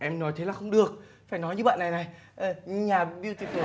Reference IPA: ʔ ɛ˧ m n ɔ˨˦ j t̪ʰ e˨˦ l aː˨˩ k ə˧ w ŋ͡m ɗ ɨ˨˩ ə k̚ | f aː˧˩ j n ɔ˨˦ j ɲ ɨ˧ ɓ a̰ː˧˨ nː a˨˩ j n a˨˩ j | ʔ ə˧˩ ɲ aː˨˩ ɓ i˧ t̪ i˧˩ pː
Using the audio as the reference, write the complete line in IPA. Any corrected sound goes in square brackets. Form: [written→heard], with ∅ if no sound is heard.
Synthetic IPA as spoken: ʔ ɛ˧ m n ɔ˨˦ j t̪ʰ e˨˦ l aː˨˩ [k→x] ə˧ w ŋ͡m ɗ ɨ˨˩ ə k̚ | f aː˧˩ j n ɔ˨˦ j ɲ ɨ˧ ɓ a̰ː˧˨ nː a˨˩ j n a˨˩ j | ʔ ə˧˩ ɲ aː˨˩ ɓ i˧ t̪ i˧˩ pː